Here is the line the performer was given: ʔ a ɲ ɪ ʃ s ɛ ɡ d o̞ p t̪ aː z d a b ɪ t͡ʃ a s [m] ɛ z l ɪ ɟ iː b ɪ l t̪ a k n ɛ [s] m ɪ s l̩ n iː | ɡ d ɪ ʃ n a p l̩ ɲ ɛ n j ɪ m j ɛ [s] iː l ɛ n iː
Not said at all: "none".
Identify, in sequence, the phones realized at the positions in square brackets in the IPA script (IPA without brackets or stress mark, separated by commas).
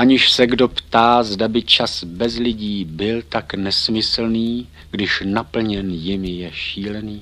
b, s, ʃ